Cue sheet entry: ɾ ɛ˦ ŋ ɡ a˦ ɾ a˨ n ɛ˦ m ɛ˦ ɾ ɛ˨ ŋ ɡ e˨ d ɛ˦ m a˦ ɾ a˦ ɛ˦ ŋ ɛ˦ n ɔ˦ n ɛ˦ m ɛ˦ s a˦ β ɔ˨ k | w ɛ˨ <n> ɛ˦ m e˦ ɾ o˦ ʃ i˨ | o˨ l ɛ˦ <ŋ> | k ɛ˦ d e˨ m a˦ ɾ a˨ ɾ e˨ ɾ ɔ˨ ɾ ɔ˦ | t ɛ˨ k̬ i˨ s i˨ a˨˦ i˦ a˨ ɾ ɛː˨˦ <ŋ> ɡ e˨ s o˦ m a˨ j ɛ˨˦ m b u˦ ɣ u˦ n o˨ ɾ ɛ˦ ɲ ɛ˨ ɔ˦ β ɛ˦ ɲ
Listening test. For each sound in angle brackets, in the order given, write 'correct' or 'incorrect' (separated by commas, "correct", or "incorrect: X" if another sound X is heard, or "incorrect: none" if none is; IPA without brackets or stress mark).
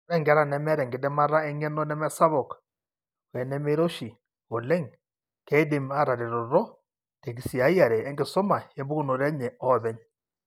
correct, correct, correct